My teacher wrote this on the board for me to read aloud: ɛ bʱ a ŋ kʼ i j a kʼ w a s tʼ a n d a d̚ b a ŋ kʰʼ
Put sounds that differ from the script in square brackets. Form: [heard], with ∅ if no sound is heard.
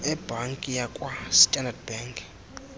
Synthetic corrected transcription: ɛ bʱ a ŋ kʼ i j a kʼ w a s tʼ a n d a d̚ b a ŋ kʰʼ

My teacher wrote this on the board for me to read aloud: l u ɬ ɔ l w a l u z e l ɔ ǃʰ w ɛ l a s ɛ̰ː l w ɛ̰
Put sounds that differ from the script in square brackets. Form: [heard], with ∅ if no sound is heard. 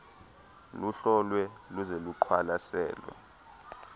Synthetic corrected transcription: l u ɬ ɔ l w [ɛ] l u z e l [u] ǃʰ w [a] l a s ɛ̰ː l w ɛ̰

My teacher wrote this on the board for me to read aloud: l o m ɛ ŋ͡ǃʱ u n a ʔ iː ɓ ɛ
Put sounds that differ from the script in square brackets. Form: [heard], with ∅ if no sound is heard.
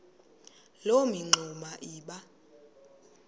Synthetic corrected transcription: l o m [i] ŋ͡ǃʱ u [m] a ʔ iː ɓ [a]

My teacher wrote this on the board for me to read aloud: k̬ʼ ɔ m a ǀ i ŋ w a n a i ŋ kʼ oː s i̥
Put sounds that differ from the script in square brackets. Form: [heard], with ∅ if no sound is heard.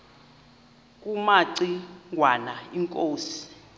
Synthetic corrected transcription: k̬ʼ [u] m a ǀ i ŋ w a n a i ŋ kʼ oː s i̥

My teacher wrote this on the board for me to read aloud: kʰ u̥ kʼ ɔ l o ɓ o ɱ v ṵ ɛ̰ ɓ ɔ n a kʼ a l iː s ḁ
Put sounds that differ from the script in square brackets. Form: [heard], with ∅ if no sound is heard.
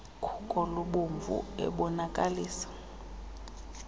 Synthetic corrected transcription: kʰ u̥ kʼ ɔ l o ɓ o ɱ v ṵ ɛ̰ ɓ ɔ n a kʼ a l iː s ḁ

